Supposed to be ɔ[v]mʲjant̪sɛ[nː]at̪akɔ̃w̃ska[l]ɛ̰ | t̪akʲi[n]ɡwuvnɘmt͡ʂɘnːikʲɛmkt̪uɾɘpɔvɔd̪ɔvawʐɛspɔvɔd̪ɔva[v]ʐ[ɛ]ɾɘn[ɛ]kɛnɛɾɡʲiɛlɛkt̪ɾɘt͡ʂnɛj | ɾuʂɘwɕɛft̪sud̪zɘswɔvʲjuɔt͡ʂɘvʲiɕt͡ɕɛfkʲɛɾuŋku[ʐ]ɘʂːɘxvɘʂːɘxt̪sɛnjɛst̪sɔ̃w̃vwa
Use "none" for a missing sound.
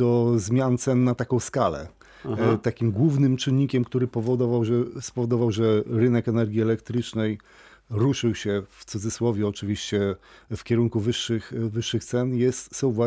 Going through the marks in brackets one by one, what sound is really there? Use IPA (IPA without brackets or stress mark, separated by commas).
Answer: z, nː, l, m, w, ɛ, ɛ, v